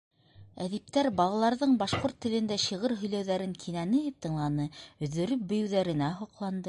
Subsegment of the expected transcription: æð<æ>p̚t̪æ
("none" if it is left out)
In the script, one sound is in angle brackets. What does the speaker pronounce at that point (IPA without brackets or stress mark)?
i